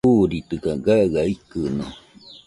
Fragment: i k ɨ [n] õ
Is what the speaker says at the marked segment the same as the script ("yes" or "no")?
yes